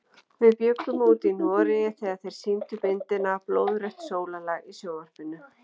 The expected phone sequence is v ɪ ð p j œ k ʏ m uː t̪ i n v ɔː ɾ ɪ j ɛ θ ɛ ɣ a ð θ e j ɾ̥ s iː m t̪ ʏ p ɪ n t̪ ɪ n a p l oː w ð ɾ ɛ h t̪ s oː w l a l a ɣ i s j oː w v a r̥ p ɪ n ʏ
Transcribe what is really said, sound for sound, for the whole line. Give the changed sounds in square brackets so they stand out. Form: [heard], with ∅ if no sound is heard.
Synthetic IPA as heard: v ɪ ð p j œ k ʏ m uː t̪ i n v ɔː ɾ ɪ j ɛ θ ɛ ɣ a ð θ e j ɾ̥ s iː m t̪ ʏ p ɪ n t̪ ɪ n a p l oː w ð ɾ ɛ h t̪ s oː w l a l a ɣ i s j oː w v a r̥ p ɪ n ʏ

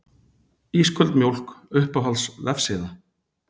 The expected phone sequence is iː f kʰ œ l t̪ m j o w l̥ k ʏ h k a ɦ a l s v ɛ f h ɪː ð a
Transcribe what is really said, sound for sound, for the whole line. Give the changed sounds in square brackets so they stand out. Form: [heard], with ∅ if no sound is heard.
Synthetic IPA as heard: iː [s] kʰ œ l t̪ m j o w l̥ k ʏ h [p] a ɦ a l s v ɛ f [s] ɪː ð a

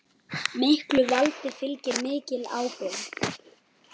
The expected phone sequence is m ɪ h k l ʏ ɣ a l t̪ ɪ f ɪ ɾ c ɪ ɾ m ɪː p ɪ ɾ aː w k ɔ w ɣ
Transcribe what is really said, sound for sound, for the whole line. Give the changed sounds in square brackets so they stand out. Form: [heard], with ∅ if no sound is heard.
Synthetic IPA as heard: m ɪ h k l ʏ [v] a l t̪ ɪ f ɪ [l] c ɪ ɾ m ɪː [c] ɪ [l] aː w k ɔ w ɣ

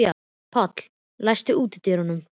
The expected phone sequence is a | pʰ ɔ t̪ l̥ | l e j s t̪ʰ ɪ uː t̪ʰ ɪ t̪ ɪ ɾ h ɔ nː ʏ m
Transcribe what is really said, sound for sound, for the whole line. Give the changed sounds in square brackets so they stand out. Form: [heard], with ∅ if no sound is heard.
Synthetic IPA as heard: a | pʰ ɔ t̪ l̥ | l [a] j s [t̪] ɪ uː [t̪] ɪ t̪ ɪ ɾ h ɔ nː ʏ m

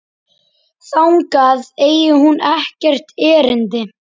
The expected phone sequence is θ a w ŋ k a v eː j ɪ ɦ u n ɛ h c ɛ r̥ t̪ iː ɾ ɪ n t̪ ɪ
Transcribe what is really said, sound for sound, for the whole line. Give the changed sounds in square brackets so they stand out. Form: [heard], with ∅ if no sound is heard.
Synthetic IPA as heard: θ a w ŋ k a [ð] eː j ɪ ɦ u n ɛ h c ɛ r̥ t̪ [ɛː] ɾ ɪ n t̪ ɪ

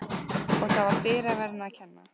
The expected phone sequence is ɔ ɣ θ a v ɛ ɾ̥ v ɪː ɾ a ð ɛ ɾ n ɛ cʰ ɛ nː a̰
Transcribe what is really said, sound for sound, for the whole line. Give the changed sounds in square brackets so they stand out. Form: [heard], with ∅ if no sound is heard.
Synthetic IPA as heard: ɔ ɣ θ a v [a] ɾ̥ [f] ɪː ɾ a [v] ɛ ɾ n [a] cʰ ɛ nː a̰

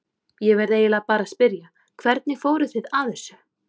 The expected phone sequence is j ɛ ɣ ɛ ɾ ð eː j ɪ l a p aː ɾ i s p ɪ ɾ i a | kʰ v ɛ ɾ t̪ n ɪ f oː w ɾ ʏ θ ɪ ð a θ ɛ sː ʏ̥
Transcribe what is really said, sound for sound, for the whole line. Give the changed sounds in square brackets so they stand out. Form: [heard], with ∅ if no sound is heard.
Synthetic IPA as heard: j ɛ [v] ɛ ɾ ð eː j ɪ l a p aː ɾ [a] s p ɪ ɾ [j] a | kʰ v ɛ ɾ t̪ n ɪ f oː w ɾ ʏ θ ɪ ð a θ ɛ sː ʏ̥

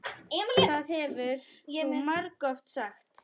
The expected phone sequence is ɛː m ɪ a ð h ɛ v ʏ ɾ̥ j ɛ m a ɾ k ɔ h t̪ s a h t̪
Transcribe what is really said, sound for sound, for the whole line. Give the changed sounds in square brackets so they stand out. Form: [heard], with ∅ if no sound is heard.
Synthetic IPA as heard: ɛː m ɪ a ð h ɛ v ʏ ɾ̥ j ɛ m a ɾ k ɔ [f] t̪ s a [x] t̪

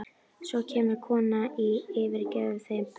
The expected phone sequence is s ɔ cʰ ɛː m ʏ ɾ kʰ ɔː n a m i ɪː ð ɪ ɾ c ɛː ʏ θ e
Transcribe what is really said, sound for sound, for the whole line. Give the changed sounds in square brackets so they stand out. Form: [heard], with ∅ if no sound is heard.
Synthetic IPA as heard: s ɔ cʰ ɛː m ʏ ɾ kʰ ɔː n a [∅] i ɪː [v] ɪ ɾ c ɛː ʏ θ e

